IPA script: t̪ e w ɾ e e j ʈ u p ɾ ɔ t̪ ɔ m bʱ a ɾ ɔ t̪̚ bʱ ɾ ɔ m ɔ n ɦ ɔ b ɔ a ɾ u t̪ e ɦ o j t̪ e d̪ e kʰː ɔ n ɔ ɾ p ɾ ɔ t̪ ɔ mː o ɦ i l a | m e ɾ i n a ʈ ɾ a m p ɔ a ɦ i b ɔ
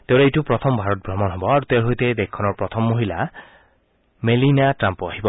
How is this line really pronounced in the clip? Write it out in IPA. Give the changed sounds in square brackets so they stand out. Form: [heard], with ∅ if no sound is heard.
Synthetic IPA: t̪ e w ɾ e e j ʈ u p ɾ ɔ [t̪ʰ] ɔ m bʱ a ɾ ɔ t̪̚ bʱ ɾ ɔ m ɔ n ɦ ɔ b ɔ a ɾ u t̪ e ɦ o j t̪ e d̪ e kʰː ɔ n ɔ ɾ p ɾ ɔ [t̪ʰ] ɔ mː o ɦ i l a | m e [l] i n a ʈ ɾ a m p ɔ a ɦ i b ɔ